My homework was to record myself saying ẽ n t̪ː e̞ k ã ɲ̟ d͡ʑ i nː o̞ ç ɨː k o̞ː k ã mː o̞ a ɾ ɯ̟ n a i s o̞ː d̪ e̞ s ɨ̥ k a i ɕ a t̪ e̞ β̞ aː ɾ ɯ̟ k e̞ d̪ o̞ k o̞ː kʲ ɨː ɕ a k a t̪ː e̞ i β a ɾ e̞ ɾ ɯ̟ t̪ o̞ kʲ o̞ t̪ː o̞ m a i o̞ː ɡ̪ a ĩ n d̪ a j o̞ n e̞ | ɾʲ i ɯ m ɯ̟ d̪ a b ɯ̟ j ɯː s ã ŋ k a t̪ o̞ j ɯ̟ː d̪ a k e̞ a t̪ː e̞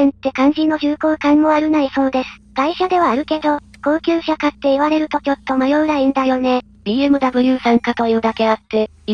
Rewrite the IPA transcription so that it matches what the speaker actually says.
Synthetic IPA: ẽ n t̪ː e̞ k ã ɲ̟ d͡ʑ i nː o̞ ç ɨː k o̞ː k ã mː o̞ a ɾ ɯ̟ n a i s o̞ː d̪ e̞ s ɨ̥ k a i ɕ a d̪ e̞ β̞ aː ɾ ɯ̟ k e̞ d̪ o̞ k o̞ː kʲ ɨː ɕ a k a t̪ː e̞ i β a ɾ e̞ ɾ ɯ̟ t̪ o̞ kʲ o̞ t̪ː o̞ m a j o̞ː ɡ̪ a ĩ n d̪ a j o̞ n e̞ | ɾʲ i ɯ m ɯ̟ d̪ a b ɯ̟ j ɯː s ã ŋ k a t̪ o̞ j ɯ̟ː d̪ a k e̞ a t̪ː e̞